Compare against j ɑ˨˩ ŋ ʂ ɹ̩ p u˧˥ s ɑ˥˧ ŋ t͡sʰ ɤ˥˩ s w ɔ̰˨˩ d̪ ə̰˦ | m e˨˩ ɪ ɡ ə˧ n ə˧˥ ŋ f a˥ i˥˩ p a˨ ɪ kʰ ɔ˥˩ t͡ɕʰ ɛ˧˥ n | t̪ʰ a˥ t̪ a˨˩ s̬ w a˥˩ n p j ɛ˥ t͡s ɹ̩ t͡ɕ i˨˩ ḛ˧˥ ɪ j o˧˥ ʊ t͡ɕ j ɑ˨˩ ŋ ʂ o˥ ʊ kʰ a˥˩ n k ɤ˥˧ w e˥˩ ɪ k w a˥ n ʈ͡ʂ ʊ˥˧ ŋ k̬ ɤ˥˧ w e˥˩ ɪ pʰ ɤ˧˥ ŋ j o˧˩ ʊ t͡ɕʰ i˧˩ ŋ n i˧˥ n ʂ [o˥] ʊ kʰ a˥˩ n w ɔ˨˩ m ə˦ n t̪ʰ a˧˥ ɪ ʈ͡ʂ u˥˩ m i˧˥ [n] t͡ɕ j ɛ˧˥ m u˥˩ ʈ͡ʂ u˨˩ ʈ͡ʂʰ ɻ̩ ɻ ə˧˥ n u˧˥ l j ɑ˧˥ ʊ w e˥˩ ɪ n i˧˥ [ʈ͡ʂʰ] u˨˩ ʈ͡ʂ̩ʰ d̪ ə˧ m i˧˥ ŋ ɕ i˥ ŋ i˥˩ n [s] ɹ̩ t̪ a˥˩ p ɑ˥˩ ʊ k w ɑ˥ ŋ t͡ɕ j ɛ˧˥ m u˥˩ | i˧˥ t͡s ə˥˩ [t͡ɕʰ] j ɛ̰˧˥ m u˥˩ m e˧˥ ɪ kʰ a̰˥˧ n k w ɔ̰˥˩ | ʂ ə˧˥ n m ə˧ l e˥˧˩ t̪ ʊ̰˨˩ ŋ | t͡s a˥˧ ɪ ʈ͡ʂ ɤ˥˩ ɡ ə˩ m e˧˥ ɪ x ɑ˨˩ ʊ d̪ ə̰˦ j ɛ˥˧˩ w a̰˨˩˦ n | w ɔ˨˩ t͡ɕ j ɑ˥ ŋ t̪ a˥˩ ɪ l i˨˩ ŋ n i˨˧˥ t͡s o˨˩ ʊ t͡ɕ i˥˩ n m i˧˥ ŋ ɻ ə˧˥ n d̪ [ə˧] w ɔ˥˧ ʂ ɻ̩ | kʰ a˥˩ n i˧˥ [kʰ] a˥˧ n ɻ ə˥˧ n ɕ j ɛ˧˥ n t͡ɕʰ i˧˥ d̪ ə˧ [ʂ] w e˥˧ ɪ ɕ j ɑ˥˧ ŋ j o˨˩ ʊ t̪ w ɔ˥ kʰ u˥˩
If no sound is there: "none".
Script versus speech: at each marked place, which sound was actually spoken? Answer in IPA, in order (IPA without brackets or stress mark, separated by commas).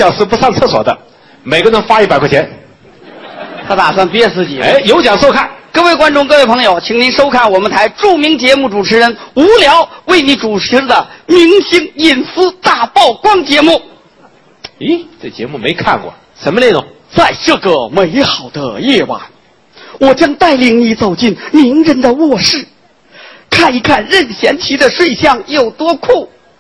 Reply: o˥, ŋ, ʈ͡ʂ, s, t͡ɕ, ə˧, kʰ, ʂ